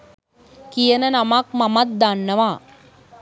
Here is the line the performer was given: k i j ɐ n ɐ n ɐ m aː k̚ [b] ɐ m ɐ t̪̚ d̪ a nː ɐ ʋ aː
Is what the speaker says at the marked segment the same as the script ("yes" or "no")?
no